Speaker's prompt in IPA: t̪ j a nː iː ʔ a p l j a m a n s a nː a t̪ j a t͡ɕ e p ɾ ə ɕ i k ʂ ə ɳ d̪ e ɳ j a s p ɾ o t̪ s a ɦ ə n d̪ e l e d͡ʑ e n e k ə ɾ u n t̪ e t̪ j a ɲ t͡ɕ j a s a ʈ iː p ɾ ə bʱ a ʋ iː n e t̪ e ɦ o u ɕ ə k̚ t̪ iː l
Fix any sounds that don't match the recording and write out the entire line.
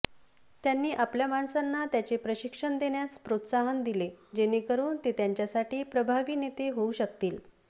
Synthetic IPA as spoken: t̪ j a nː iː ʔ a p l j a m a n s a nː a t̪ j a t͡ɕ e p ɾ ə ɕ i k ʂ ə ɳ d̪ e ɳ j a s p ɾ o t̪ s a ɦ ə n d̪ i l e d͡ʑ e n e k ə ɾ uː n t̪ e t̪ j a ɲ t͡ɕ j a s a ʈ iː p ɾ ə bʱ a ʋ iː n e t̪ e ɦ o u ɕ ə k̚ t̪ iː l